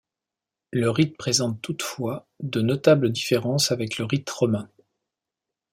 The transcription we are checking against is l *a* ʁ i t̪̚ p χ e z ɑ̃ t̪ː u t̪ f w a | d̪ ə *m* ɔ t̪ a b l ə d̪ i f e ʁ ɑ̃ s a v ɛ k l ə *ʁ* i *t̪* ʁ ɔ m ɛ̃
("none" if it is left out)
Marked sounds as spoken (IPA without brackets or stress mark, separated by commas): ə, n, ʁ, t̪